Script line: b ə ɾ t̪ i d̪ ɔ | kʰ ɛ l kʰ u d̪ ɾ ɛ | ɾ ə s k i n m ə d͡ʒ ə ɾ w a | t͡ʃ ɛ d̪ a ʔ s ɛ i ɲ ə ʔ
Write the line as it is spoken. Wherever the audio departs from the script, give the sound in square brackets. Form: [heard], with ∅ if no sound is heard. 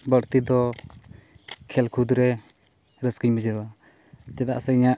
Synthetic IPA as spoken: b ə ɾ t̪ i d̪ ɔ | kʰ ɛ l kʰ u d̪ ɾ ɛ | ɾ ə s k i [ɲ] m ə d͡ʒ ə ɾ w a | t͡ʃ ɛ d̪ a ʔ s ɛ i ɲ [a] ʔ